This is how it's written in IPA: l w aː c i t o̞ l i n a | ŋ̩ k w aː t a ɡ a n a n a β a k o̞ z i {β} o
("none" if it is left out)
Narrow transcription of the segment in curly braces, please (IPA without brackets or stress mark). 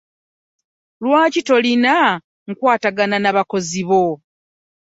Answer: β